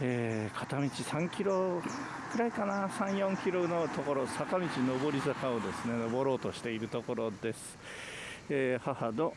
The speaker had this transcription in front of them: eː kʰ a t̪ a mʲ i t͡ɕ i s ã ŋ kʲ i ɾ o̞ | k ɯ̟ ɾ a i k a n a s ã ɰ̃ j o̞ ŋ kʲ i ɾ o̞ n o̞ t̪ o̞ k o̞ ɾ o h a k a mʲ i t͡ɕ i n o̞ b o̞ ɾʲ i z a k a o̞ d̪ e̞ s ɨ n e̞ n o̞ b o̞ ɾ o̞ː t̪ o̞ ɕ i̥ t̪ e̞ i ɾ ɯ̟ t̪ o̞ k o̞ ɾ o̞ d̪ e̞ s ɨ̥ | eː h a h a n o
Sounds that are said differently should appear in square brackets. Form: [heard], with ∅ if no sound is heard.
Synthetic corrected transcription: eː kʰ a t̪ a mʲ i t͡ɕ i s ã ŋ kʲ i ɾ o̞ | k ɯ̟ ɾ a i k a n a s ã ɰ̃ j [õ̞] ŋ kʲ i ɾ o̞ n o̞ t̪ o̞ k o̞ ɾ o [s] a k a mʲ i t͡ɕ i n o̞ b o̞ ɾʲ i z a k a o̞ d̪ e̞ s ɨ n e̞ n o̞ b o̞ ɾ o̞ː t̪ o̞ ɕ i̥ t̪ e̞ i ɾ ɯ̟ t̪ o̞ k o̞ ɾ o̞ d̪ e̞ s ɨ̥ | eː h a h a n o